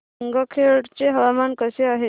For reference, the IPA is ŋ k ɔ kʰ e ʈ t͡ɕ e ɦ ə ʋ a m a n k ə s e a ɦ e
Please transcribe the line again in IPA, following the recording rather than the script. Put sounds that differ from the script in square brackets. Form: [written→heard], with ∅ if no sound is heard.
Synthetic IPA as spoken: ŋ [k→ɡ] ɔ kʰ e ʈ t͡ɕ e ɦ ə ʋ a m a n k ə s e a ɦ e